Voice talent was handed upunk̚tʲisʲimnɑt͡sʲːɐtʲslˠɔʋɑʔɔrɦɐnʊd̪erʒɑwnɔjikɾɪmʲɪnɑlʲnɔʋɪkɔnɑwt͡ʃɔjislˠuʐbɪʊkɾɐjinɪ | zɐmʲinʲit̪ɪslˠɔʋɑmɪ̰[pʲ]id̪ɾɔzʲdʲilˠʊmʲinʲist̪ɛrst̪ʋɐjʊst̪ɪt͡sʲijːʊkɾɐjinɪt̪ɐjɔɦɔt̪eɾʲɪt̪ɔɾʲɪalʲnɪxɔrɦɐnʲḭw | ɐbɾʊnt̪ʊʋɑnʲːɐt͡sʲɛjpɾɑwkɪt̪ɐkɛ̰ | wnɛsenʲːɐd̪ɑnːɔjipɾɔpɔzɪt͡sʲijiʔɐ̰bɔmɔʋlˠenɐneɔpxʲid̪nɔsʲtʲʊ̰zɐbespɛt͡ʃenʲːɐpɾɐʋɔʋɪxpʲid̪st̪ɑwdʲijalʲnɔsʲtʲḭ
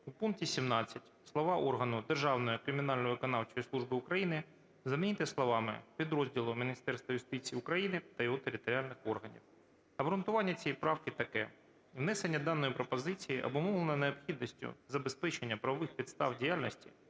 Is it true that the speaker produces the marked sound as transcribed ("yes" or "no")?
yes